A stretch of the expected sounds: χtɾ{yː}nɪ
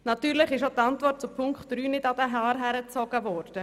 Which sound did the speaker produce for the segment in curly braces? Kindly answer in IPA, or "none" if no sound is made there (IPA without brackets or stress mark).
yː